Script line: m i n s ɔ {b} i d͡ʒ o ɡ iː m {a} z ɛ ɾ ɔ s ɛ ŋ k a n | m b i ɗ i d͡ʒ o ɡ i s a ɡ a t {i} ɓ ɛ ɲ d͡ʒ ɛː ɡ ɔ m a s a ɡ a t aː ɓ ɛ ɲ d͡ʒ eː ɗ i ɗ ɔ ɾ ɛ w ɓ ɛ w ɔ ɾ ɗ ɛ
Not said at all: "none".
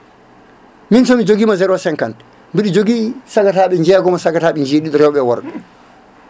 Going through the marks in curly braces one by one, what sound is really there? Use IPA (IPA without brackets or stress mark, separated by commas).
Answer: m, a, a